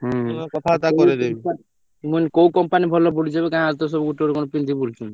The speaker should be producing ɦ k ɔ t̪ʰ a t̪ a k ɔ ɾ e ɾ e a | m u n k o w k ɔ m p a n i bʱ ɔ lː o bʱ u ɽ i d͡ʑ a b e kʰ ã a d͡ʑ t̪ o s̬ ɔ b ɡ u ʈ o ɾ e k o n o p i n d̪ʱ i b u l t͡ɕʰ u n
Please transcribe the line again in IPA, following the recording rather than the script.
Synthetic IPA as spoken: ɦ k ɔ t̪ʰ a t̪ a k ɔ ɾ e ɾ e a | m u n k o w k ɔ m p a n i bʱ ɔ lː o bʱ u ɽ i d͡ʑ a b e k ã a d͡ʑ t̪ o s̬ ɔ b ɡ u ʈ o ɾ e k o n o p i n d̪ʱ i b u l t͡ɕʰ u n